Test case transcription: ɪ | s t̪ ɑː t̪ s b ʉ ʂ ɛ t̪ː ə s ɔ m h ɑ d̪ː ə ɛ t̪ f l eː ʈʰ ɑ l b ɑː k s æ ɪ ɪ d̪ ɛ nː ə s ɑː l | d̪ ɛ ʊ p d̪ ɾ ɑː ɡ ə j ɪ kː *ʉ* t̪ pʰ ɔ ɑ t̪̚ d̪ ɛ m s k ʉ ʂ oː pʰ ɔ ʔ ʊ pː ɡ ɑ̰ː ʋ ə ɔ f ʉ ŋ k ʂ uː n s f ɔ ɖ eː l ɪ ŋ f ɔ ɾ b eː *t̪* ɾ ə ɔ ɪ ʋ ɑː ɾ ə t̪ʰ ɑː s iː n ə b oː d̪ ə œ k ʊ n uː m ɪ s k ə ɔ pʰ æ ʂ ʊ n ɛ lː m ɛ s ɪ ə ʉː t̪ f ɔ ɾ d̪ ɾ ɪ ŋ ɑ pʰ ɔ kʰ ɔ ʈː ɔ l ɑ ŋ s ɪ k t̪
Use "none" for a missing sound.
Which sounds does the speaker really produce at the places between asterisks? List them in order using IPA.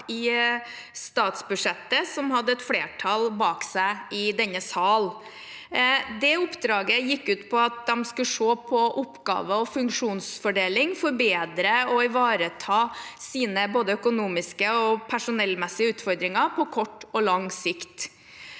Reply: ʉː, d̪

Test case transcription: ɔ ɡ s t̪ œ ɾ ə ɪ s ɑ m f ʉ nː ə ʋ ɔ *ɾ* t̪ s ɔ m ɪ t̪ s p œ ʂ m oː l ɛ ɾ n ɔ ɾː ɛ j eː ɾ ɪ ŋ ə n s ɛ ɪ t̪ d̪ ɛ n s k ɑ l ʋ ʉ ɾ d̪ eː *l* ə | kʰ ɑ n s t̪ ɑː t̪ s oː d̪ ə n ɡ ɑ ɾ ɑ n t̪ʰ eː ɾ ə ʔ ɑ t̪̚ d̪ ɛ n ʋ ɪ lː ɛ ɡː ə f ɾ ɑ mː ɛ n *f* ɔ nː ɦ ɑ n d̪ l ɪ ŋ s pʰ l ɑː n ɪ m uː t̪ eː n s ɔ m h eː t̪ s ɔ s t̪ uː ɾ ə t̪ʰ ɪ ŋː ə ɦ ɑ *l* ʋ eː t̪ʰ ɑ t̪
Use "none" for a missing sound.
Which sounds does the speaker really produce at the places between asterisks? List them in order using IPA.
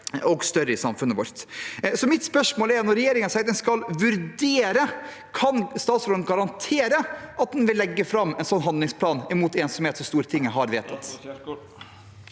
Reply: ɾ, ɾ, s, ɾ

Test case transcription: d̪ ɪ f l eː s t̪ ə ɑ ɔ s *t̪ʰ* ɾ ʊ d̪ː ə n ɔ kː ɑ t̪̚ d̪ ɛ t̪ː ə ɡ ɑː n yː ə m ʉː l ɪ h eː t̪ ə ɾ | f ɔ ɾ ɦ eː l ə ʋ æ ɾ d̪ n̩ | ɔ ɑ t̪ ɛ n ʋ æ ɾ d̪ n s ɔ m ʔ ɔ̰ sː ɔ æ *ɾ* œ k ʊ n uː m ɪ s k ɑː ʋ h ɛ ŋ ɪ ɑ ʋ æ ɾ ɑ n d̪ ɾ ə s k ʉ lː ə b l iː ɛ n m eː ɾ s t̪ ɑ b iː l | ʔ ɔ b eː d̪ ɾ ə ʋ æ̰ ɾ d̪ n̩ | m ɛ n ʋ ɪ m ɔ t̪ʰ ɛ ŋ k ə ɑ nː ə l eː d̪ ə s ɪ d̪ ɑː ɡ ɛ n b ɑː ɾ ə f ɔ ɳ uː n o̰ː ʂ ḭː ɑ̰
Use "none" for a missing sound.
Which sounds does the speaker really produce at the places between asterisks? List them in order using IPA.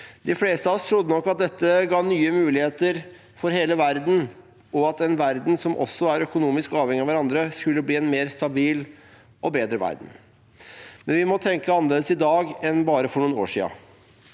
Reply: t̪ʰ, ɾ

